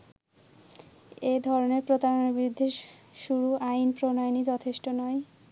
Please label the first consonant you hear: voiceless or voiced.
voiced